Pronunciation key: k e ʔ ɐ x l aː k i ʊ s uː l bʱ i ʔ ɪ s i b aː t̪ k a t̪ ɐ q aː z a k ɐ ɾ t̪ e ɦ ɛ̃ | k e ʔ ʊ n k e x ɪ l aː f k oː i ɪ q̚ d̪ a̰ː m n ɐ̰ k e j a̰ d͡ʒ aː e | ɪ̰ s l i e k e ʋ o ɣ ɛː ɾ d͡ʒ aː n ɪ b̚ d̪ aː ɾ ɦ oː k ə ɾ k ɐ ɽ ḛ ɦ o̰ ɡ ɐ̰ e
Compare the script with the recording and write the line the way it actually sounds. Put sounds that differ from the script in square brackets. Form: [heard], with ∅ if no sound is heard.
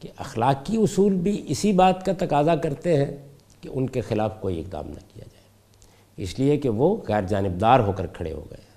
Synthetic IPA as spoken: k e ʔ ɐ x l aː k i ʊ s uː l bʱ i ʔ ɪ s i b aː t̪ k a t̪ ɐ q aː z a k ɐ ɾ t̪ e ɦ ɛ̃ | k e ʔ ʊ n k e x ɪ l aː f k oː i ɪ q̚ d̪ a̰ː m n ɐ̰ k [i] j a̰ d͡ʒ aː e | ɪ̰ s l i e k e ʋ o ɣ ɛː ɾ d͡ʒ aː n ɪ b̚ d̪ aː ɾ ɦ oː k ə ɾ [kʰ] ɐ ɽ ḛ ɦ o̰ ɡ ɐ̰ e